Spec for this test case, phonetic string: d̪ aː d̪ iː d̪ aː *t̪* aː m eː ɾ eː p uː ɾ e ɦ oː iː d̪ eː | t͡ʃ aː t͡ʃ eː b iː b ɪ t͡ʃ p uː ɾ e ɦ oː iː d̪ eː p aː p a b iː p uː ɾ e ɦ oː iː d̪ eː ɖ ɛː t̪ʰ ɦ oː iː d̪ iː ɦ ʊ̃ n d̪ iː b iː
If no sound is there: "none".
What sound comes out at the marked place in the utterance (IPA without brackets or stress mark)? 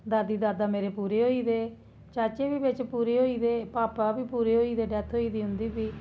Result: d̪